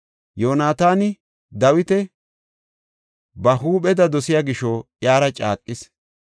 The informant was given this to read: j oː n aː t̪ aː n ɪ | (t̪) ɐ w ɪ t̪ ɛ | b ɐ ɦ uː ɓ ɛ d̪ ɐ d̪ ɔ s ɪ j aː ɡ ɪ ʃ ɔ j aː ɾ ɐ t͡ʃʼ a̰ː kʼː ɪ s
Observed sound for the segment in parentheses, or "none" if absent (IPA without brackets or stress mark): d̪